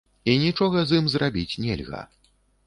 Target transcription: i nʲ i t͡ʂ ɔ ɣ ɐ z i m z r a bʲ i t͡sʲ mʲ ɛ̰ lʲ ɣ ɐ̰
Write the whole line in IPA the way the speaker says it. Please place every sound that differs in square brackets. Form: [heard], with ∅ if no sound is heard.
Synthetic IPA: i nʲ i t͡ʂ ɔ ɣ ɐ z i m z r a bʲ i t͡sʲ [nʲ] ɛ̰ lʲ ɣ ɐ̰